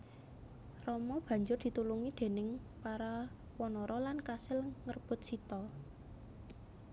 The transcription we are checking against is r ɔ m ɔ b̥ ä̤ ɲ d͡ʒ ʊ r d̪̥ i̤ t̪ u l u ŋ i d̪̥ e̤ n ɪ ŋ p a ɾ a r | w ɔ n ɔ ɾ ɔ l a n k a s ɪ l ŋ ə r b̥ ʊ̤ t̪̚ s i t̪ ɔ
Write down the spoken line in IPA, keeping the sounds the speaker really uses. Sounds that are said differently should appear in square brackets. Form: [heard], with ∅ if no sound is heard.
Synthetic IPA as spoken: r ɔ m ɔ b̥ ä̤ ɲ d͡ʒ ʊ r d̪̥ i̤ t̪ u l u ŋ i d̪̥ e̤ n ɪ ŋ p a ɾ a [∅] | w ɔ n ɔ ɾ ɔ l a n k a s ɪ l ŋ ə r b̥ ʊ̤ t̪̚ s i t̪ ɔ